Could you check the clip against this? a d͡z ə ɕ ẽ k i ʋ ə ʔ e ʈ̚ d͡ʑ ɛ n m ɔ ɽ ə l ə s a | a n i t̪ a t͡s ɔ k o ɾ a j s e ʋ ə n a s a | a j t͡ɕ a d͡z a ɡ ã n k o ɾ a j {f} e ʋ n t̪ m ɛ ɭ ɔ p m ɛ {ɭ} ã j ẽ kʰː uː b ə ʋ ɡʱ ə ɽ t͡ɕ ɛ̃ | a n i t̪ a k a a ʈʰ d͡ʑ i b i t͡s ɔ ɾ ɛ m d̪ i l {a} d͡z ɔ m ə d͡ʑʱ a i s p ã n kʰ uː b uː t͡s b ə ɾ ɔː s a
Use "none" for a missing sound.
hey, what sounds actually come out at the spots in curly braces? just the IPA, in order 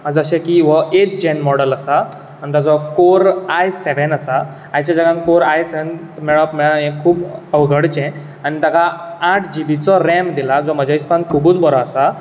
s, ɭ, a

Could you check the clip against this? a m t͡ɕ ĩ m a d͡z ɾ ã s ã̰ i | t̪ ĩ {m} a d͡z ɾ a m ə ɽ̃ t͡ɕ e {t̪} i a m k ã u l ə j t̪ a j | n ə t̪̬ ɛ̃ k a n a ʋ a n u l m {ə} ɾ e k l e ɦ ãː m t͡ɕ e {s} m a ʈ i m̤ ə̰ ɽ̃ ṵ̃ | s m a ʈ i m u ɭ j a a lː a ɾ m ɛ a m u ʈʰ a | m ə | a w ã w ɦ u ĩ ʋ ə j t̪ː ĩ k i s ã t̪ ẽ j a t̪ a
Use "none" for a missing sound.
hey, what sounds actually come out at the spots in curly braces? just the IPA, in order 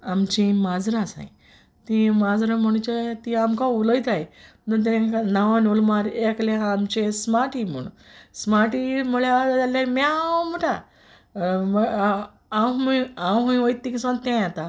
m, t̪, a, s

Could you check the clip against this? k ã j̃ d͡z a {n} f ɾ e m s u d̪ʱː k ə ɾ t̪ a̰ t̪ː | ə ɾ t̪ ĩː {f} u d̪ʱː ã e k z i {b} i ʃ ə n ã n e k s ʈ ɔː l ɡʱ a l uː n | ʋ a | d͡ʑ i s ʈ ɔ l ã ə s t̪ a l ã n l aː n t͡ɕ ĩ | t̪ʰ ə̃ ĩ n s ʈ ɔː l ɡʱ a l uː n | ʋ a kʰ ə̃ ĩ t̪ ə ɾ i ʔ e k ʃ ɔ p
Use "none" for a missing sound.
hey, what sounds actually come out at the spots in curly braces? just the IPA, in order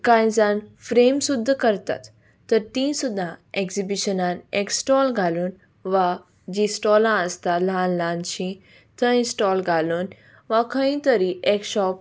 n, s, b

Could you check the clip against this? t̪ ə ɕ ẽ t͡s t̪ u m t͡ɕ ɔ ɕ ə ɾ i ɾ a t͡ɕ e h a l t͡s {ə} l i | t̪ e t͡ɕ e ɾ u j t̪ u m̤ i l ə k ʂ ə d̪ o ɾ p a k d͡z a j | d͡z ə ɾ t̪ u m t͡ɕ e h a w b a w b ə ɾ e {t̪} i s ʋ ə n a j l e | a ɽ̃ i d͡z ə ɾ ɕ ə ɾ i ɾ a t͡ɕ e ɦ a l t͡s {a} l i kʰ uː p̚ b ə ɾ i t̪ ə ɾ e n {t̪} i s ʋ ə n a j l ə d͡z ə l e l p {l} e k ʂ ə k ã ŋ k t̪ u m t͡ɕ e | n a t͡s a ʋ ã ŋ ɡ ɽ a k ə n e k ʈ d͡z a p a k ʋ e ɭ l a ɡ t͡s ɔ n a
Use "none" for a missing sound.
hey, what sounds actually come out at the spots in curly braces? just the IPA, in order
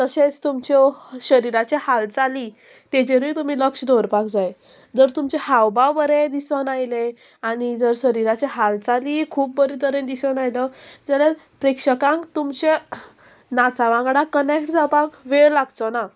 a, d̪, a, d̪, ɾ

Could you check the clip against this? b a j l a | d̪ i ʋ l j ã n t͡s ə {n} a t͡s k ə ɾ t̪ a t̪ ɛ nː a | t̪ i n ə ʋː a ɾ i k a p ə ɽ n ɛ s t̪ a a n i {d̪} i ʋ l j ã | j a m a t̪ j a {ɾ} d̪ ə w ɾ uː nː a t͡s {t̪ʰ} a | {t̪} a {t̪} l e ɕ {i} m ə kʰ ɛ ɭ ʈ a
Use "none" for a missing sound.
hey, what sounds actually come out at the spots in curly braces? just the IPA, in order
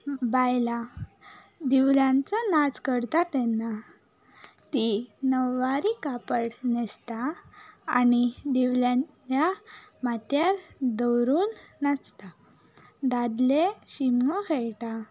n, d̪, ɾ, t̪, d̪, d̪, i

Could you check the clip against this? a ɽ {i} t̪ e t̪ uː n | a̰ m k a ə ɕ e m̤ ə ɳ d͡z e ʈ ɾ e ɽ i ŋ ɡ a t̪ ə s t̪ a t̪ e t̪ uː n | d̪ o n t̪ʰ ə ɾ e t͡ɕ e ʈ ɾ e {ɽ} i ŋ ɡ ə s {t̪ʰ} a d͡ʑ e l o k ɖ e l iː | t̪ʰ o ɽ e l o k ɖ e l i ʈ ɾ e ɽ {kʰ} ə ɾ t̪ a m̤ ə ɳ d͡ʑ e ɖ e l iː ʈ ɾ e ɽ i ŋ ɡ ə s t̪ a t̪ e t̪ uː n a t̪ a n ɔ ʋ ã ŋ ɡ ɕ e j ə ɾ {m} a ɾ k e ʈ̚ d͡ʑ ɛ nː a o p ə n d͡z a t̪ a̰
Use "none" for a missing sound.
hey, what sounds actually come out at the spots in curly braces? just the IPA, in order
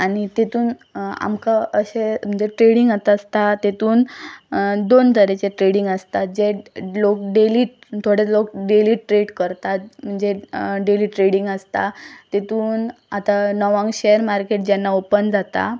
i, ɽ, t̪, k, m

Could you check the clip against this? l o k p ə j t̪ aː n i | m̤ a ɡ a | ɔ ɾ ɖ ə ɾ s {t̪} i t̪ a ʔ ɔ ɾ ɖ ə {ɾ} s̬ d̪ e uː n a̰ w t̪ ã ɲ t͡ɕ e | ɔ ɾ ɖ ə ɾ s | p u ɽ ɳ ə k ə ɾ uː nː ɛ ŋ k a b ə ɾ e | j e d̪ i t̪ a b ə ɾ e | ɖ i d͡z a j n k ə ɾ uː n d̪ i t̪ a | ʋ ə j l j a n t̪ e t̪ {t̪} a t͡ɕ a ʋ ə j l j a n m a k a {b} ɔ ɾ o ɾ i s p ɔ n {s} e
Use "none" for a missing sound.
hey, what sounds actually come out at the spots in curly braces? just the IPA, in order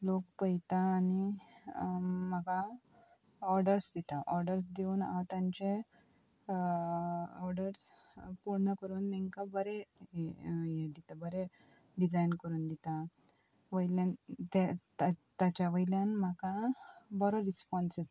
d̪, ɾ, t̪, b, s

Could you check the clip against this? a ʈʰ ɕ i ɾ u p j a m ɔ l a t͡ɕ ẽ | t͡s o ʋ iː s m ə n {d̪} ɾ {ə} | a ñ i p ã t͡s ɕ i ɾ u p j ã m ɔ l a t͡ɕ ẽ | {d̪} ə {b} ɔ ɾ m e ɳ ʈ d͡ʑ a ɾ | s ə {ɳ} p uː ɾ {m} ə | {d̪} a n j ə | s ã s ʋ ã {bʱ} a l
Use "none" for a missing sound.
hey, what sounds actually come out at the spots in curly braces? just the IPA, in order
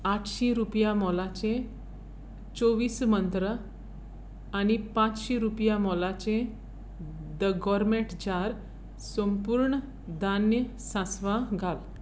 t̪, ə, d̪, ɡ, m, ɳ, d̪, ɡʱ

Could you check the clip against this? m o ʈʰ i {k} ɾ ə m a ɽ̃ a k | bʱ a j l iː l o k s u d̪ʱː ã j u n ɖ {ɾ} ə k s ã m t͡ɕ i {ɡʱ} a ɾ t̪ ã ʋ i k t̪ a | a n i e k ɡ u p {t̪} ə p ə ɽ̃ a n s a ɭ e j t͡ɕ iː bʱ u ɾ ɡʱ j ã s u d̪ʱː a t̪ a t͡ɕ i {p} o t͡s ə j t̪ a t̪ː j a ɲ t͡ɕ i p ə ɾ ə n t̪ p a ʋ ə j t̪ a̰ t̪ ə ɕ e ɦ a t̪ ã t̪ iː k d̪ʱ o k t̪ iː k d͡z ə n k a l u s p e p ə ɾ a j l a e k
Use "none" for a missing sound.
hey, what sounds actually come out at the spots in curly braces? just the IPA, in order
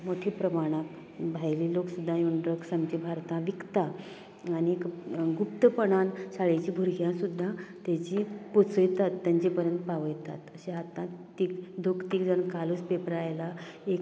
p, ɾ, bʱ, t̪, p

